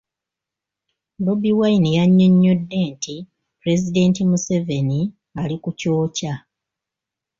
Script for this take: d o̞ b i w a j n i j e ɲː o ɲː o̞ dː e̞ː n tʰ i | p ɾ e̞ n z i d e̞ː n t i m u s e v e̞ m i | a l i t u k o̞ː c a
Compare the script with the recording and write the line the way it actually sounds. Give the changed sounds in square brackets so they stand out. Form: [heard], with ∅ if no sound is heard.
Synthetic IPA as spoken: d o̞ b i w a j n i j [a] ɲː o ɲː o̞ dː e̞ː n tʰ i | p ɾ e̞ [∅] z i d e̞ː n t i m u s e v e̞ [n] i | a l i [k] u [c] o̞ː c a